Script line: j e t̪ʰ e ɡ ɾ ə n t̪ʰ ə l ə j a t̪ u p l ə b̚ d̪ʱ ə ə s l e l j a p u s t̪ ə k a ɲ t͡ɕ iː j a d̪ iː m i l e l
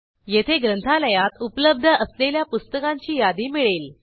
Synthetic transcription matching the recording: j e t̪ʰ e ɡ ɾ ə n t̪ʰ a l ə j a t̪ u p l ə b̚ d̪ʱ ə ə s l e l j a p u s t̪ ə k a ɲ t͡ɕ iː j a d̪ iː m i ɭ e l

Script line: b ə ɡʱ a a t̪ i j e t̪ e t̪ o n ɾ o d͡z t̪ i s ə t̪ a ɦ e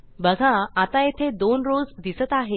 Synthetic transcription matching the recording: b ə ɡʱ a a t̪ a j e t̪ʰ e d̪ o n ɾ o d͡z d̪ i s ə t̪ a ɦ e

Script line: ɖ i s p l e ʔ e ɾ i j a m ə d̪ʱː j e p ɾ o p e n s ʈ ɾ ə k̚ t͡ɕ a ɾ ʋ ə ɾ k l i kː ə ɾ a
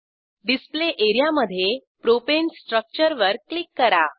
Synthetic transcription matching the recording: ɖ i s p l e ʔ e ɾ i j a m ə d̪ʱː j e p ɾ o p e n s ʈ ɾ ə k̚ t͡ɕ ə ɾ ʋ ə ɾ k l i kː ə ɾ a

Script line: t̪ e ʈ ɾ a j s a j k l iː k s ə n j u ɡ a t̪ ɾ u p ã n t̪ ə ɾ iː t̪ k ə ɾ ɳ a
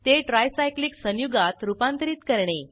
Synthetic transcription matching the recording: t̪ e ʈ ɾ a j s a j k l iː k s ə n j u ɡ a t̪ ɾ u p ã n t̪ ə ɾ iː t̪ k ə ɾ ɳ e

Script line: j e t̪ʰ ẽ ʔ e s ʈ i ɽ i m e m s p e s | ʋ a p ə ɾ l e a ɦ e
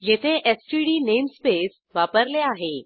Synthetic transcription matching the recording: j e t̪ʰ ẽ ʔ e s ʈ i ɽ i n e m s p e s | ʋ a p ə ɾ l e a ɦ e

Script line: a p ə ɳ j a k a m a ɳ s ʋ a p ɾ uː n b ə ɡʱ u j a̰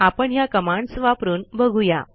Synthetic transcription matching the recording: a p ə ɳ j a k ə m a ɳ s ʋ a p ɾ uː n b ə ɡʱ u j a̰

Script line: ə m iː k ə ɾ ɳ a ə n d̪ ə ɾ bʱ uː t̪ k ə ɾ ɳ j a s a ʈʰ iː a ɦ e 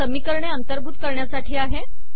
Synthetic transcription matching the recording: ə m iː k ə ɾ ɳ e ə n t̪ ə ɾ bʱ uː t̪ k ə ɾ ɳ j a s a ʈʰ iː a ɦ e

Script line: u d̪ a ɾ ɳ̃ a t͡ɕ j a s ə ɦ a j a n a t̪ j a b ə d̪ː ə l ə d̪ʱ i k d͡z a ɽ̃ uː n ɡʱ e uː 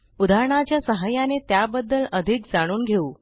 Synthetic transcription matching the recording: u d̪ a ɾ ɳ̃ a t͡ɕ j a s ə ɦ a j a n e t̪ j a b ə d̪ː ə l ə d̪ʱ i k d͡z a ɽ̃ uː n ɡʱ e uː

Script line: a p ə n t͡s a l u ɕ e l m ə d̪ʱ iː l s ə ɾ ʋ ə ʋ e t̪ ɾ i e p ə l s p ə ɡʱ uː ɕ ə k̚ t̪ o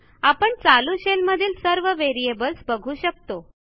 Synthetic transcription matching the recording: a p ə ɳ t͡s a l u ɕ e l m ə d̪ʱ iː l s ə ɾ ʋ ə ʋ e ɾ i e b ə l s b ə ɡʱ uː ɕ ə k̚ t̪ o

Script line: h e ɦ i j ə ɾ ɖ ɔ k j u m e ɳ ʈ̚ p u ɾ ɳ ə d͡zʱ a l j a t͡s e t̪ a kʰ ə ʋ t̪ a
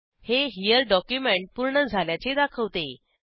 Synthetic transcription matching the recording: h e ɦ i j ə ɾ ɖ ɔ k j u m e ɳ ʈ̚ p u ɾ ɳ ə d͡zʱ a l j a t͡s e d̪ a kʰ ə ʋ t̪ e

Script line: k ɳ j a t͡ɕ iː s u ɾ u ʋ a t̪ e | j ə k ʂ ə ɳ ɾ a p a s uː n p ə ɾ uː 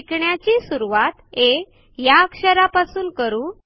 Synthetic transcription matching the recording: k ɳ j a t͡ɕ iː s u ɾ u ʋ a t̪ e | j a k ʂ ə ɾ a p a s uː n k ə ɾ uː

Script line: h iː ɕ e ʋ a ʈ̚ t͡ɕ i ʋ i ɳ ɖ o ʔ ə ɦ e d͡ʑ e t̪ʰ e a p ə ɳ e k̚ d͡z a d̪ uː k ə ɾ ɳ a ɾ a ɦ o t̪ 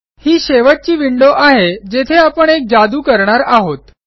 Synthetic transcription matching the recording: h iː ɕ e ʋ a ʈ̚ t͡ɕ iː ʋ i ɳ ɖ o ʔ a ɦ e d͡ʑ e t̪ʰ e a p ə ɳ e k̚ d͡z a d̪ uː k ə ɾ ɳ a ɾ a ɦ o t̪

